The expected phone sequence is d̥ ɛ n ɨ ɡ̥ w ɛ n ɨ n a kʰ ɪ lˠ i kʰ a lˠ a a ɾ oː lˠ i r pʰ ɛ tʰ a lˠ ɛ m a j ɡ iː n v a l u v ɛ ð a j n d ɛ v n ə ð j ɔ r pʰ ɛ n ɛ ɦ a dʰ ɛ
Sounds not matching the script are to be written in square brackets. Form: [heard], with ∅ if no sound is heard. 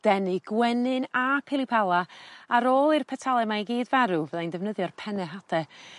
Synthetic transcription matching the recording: d̥ ɛ n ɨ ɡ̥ w ɛ n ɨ n a [pʰ] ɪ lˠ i [pʰ] a lˠ a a ɾ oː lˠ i r pʰ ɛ tʰ a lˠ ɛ m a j ɡ iː [d] v a [ɾ] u v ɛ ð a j n d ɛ v n ə ð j ɔ r pʰ ɛ n ɛ ɦ a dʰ ɛ